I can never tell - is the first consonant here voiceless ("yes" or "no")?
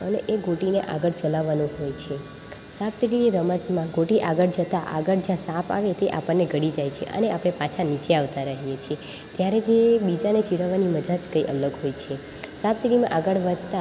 no